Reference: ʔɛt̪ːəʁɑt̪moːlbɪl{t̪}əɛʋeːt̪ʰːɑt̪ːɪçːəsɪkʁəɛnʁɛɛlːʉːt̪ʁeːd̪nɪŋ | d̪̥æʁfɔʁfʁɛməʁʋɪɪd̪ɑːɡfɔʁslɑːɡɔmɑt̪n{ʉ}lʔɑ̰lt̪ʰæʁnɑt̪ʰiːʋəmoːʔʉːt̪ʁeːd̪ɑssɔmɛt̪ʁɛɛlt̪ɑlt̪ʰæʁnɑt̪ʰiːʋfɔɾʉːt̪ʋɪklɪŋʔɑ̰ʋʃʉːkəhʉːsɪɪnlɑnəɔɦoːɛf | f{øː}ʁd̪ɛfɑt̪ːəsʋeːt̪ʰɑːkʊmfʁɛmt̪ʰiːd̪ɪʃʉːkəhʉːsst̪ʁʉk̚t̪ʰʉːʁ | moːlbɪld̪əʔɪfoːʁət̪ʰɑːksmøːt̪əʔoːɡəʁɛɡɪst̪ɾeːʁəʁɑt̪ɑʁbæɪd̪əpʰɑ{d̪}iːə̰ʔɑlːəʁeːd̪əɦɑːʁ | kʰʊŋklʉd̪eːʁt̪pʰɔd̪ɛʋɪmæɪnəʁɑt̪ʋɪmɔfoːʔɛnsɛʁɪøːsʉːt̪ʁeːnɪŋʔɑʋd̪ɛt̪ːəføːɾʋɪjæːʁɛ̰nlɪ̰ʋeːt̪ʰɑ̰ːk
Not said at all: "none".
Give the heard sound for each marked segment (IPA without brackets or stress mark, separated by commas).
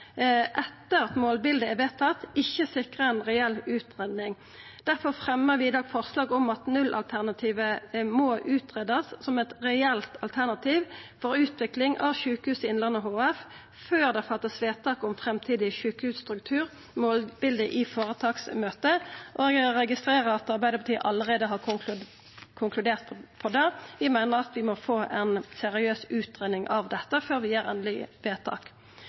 d̪, ʉ, øː, t̪